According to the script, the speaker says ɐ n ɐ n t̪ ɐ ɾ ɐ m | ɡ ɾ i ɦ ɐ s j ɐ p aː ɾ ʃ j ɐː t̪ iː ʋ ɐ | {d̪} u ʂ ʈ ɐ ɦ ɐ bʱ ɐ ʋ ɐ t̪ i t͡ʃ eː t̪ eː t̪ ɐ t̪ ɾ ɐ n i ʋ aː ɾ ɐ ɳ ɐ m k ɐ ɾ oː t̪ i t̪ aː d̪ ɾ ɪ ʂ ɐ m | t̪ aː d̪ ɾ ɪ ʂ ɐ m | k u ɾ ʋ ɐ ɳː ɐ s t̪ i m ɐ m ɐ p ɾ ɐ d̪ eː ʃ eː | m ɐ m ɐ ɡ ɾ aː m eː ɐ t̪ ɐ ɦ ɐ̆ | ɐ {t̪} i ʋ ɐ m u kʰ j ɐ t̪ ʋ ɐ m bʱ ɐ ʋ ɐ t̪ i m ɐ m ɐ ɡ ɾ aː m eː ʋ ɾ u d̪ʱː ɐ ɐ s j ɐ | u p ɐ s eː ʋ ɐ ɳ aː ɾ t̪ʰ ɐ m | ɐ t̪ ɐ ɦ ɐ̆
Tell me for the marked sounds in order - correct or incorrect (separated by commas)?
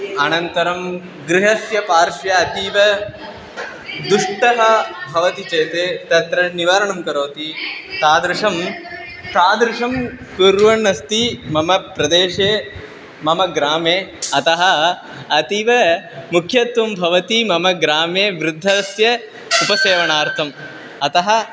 correct, correct